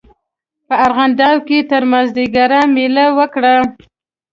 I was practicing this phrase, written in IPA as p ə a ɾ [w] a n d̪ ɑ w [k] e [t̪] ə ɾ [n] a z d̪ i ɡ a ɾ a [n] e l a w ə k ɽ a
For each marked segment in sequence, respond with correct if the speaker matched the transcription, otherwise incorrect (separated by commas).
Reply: incorrect, correct, correct, incorrect, incorrect